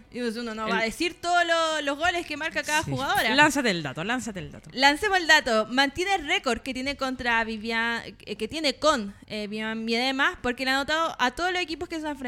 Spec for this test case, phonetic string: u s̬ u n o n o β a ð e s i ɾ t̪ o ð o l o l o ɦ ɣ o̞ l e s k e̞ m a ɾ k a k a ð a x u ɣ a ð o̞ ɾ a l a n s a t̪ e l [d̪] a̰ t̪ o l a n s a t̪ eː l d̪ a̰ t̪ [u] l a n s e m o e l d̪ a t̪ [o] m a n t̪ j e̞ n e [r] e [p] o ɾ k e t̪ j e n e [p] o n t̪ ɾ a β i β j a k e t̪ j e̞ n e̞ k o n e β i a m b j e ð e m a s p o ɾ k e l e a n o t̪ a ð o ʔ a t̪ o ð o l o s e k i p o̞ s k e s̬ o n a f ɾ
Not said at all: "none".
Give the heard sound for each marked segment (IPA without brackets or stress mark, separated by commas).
d̪, o, o, r, k, k